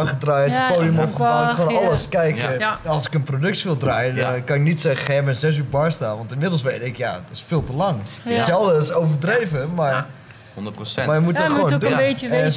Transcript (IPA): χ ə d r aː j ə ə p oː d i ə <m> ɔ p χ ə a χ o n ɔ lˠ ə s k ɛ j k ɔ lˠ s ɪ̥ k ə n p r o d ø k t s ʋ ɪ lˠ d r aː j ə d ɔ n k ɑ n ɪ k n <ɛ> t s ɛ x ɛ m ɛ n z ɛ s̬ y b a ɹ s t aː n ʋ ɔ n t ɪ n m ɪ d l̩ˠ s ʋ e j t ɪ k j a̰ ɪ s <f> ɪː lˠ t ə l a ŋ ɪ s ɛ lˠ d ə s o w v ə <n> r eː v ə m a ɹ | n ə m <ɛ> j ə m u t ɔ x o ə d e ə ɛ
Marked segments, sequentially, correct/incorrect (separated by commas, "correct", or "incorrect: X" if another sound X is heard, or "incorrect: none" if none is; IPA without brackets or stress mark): correct, incorrect: i, correct, incorrect: d, incorrect: a